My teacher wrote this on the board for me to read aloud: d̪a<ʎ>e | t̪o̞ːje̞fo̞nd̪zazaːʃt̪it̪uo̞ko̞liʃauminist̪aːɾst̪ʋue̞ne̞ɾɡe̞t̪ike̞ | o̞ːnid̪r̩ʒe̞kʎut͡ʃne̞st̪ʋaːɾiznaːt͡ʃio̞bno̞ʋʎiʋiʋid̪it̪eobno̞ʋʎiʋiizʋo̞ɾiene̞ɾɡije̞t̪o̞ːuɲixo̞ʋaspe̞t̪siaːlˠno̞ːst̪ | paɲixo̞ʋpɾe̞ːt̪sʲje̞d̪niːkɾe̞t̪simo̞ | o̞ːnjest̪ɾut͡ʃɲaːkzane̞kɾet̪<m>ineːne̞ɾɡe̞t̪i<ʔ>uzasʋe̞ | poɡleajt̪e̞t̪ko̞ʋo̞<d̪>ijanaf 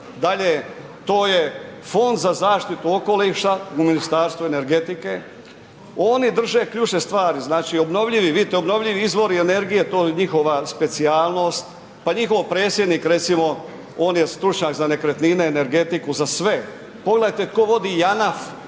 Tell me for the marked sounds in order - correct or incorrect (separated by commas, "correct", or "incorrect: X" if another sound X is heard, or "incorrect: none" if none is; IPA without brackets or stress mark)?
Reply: correct, incorrect: n, incorrect: k, correct